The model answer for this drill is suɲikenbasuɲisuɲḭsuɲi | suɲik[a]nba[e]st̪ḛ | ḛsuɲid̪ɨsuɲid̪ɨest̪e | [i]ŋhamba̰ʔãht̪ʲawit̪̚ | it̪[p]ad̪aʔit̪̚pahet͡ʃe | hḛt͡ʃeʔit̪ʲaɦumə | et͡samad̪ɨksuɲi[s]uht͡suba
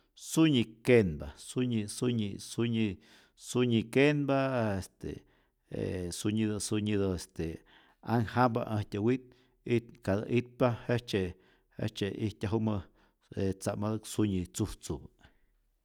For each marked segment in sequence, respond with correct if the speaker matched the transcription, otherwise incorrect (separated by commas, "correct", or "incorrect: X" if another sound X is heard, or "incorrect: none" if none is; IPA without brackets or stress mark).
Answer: incorrect: e, correct, incorrect: a, incorrect: k, incorrect: t͡s